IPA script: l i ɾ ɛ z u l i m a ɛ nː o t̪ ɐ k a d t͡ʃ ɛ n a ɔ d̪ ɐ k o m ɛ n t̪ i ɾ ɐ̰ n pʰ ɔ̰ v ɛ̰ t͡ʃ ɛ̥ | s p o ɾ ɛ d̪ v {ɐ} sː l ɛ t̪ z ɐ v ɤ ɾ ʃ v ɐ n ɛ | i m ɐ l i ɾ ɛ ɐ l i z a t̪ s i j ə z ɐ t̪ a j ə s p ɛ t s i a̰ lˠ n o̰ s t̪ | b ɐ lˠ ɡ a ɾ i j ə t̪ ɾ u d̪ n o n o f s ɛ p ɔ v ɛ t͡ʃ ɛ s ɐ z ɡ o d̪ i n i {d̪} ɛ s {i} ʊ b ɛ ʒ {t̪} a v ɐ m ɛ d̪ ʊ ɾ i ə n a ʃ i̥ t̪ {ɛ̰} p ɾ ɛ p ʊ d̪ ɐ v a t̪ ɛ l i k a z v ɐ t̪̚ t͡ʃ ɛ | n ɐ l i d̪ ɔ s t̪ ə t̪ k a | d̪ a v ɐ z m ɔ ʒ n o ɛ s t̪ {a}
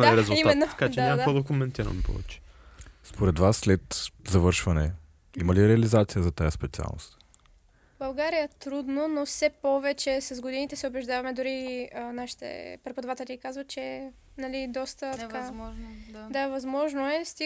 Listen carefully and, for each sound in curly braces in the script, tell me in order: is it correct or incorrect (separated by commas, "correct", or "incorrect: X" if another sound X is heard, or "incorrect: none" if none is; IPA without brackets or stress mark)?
incorrect: a, incorrect: t̪, incorrect: ɛ, incorrect: d̪, correct, incorrect: i